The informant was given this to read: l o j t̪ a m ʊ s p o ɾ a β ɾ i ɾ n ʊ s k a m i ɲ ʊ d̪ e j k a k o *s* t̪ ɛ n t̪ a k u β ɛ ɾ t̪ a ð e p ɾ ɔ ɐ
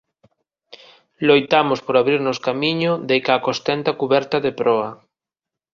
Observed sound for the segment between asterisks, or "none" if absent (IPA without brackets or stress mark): s